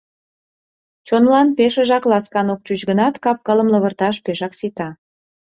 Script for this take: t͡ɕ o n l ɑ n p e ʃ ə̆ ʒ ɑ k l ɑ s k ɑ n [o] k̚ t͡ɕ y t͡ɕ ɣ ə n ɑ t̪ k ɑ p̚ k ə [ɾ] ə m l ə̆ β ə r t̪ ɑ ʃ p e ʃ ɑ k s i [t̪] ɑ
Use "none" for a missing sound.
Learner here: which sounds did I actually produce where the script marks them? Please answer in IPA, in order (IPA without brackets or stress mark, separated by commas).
o, l, t̪